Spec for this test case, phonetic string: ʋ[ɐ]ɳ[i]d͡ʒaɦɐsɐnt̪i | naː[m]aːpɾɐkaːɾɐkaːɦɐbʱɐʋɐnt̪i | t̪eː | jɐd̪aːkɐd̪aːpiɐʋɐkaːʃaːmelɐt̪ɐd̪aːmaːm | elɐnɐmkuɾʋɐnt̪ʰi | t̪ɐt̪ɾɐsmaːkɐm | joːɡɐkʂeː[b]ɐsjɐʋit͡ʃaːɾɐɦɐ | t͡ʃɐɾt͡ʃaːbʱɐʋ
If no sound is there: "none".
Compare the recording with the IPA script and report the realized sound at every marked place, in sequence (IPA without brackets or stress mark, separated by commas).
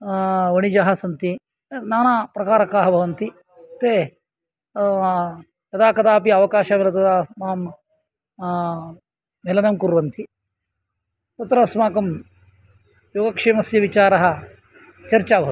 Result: ɐ, i, n, m